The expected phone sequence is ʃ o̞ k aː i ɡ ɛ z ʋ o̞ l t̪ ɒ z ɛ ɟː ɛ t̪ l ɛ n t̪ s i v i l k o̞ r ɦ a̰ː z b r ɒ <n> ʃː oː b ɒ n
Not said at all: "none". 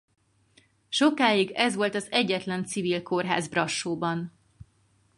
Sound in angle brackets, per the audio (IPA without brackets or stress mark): none